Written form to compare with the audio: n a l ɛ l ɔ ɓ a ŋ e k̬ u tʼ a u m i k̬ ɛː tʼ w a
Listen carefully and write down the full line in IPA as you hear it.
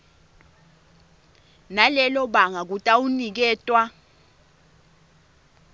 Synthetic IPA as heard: n a l ɛ l ɔ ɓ a ŋ a k̬ u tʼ a u n i k̬ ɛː tʼ w a